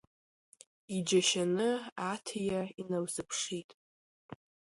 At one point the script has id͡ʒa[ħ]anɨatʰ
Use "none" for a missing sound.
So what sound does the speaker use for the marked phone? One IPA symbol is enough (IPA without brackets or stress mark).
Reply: ʃ